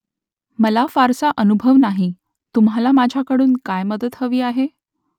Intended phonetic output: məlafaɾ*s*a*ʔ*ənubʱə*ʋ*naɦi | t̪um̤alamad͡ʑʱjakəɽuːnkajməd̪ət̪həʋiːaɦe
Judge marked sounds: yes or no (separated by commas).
yes, yes, yes